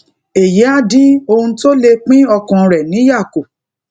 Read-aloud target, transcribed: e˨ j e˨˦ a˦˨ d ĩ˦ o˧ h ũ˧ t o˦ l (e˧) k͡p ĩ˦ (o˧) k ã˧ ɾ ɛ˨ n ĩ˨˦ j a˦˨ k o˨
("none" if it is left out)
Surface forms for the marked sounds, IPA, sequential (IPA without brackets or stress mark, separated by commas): e˧, ɔ˧